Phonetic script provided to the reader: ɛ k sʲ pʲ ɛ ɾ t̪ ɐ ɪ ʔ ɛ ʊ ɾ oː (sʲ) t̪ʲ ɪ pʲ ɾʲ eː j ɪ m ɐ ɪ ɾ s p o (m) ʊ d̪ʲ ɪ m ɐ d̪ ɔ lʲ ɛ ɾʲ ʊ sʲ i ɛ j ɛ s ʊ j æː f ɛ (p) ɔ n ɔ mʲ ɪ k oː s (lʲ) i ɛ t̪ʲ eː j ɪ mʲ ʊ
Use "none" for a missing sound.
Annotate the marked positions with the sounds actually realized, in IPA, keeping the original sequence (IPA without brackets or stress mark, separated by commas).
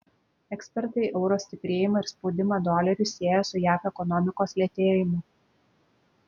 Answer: sʲ, none, k, lʲ